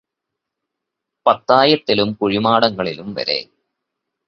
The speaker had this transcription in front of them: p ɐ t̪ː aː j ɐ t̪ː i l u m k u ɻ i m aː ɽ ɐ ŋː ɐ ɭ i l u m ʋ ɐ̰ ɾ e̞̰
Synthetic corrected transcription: p ɐ t̪ː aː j ɐ t̪ː i l u m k u ɻ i m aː ɽ ɐ ŋː ɐ ɭ i l u m ʋ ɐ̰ ɾ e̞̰

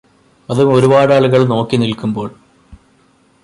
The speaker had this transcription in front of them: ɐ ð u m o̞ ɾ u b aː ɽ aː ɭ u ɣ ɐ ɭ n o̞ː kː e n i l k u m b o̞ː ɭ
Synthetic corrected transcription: ɐ ð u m o̞ ɾ u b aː ɽ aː ɭ u ɣ ɐ ɭ n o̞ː kː i n i l k u m b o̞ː ɭ

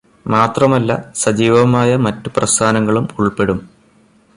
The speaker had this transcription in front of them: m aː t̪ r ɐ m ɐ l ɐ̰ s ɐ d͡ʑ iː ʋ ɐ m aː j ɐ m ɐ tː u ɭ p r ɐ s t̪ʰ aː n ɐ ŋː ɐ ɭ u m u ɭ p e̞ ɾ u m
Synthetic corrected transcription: m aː t̪ r ɐ m ɐ lː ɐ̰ s ɐ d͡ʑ iː ʋ ɐ m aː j ɐ m ɐ tː u p r ɐ s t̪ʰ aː n ɐ ŋː ɐ ɭ u m u ɭ p e̞ ɽ u m

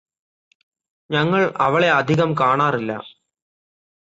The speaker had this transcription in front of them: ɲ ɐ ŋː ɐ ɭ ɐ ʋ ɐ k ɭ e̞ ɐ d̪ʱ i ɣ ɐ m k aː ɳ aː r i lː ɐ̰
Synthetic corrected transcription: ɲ ɐ ŋː ɐ ɭ ɐ ʋ ɐ ɭ e̞ ɐ d̪ʱ i ɣ ɐ m k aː ɳ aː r i lː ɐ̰

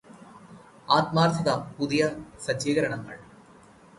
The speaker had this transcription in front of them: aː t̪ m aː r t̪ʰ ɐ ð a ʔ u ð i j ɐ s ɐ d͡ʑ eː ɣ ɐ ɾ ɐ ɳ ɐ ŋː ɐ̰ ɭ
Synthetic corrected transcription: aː t̪ m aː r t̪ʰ ɐ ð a p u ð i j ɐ s ɐ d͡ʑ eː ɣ ɐ ɾ ɐ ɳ ɐ ŋː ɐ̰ ɭ

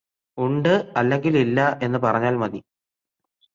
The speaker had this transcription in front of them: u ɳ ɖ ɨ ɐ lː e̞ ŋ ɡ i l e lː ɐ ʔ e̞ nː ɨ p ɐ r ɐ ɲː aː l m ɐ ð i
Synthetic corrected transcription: u ɳ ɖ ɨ ɐ lː e̞ ŋ ɡ i l i lː ɐ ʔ e̞ nː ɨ p ɐ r ɐ ɲː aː l m ɐ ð i

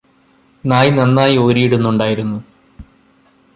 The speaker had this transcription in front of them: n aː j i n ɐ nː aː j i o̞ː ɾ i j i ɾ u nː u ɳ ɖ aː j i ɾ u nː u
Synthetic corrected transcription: n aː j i n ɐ nː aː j i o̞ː ɾ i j i ɽ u nː u ɳ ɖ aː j i ɾ u nː u

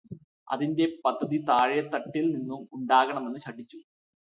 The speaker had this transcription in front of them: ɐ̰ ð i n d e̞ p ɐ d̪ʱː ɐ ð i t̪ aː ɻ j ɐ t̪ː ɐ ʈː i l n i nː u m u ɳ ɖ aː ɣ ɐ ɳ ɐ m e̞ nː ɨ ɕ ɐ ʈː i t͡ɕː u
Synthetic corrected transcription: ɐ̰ ð i n d e̞ p ɐ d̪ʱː ɐ ð i t̪ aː ɻ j ɐ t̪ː ɐ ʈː i l n i nː u m u ɳ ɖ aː ɣ ɐ ɳ ɐ m e̞ nː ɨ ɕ ɐ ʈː i t͡ɕː u

